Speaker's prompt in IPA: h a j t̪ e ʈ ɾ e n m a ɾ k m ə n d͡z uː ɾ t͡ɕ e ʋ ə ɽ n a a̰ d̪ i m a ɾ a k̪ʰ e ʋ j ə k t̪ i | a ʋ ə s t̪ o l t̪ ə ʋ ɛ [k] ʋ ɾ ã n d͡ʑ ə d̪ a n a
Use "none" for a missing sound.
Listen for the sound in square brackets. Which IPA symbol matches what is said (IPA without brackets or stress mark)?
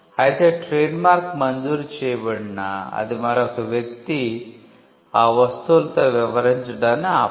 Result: none